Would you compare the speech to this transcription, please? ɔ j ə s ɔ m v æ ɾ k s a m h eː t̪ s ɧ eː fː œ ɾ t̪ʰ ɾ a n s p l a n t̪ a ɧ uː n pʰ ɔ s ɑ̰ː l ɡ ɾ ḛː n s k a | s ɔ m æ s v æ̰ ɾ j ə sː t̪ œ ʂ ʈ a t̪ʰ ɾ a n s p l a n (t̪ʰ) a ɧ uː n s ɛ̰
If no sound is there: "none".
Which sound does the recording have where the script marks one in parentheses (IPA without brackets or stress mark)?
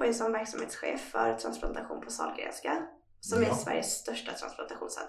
t̪